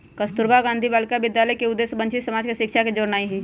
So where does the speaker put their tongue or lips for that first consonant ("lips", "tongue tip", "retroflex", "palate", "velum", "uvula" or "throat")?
velum